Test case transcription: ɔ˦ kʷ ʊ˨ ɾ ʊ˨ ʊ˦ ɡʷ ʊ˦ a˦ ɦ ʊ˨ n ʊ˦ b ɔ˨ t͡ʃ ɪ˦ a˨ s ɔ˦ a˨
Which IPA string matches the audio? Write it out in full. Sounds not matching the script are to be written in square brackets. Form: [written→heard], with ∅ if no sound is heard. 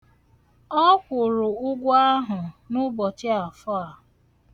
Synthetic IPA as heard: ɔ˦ kʷ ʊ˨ ɾ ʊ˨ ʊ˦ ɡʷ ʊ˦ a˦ ɦ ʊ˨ n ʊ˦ b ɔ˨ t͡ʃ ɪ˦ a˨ [s→f] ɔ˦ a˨

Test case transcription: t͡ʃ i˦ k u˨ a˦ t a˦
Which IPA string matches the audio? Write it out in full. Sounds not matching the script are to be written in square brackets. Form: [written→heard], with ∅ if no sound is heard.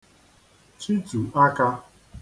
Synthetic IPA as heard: t͡ʃ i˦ [k→t] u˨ a˦ [t→k] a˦

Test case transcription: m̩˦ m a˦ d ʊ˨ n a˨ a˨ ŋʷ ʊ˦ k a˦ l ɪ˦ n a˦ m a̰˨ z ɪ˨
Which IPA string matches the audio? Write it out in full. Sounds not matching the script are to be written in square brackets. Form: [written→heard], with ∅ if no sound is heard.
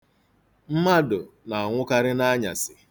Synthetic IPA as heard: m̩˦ m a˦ d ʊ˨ n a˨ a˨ ŋʷ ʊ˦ k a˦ [l→ɾ] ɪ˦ n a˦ [m→ɲ] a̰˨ [z→s] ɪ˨

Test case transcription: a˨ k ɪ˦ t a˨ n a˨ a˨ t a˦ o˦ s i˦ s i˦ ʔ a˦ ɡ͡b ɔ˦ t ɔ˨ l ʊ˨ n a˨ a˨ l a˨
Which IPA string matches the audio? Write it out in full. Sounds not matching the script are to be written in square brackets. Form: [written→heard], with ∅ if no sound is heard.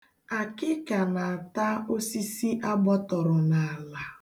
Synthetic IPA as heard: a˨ k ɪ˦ [t→k] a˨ n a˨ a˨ t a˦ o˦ s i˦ s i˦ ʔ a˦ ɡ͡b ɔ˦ t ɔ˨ [l→ɾ] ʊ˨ n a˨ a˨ l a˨

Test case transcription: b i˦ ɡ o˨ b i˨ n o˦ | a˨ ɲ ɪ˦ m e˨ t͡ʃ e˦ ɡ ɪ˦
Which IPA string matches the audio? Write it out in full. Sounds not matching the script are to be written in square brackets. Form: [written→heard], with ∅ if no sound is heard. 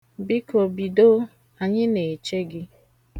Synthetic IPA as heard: b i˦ [ɡ→k] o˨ b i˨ [n→d] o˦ | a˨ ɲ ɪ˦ [m→n] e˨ t͡ʃ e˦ ɡ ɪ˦

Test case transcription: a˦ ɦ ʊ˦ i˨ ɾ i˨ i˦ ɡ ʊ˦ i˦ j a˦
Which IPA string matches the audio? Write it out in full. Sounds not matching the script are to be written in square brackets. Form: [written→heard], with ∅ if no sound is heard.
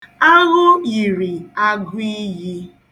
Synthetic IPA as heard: a˦ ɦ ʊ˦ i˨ ɾ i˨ [i˦→a˦] ɡ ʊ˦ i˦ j [a˦→i˦]

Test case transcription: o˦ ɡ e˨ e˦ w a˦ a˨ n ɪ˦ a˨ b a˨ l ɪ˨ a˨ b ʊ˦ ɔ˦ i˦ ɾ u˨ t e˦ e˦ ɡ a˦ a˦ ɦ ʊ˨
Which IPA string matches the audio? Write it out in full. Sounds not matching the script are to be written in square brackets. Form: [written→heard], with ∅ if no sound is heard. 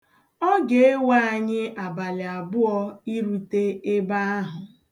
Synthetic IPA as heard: [o˦→ɔ˦] ɡ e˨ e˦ w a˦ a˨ [n→ɲ] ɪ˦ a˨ b a˨ l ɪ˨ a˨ b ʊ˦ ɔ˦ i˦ ɾ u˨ t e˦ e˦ [ɡ→b] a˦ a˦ ɦ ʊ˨

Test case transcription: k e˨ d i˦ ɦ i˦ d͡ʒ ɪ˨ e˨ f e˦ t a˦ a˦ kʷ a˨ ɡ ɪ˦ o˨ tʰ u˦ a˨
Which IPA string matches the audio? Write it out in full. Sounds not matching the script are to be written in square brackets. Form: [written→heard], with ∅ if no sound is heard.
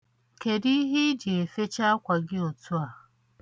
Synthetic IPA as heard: k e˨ d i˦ ɦ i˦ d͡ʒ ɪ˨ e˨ f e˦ [t→t͡ʃ] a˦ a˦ kʷ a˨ ɡ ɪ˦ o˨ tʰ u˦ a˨

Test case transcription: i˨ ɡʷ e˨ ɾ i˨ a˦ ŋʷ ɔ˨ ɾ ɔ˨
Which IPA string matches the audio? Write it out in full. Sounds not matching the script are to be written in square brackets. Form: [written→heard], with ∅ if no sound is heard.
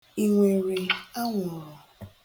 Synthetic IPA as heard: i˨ [ɡʷ→ŋʷ] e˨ ɾ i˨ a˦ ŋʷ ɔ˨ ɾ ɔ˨

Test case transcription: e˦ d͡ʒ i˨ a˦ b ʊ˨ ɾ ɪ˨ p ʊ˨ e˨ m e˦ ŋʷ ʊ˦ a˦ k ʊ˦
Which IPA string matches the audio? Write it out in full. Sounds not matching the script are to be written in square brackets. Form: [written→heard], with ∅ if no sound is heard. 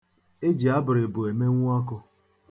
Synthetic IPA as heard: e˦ d͡ʒ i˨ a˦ b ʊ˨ ɾ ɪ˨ [p→b] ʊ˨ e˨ m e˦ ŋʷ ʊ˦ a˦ k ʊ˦

